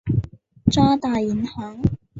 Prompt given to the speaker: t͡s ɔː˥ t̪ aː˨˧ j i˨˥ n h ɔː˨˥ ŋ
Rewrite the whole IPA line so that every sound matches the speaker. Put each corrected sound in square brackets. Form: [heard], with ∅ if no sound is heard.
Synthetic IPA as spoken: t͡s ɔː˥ t̪ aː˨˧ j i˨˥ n h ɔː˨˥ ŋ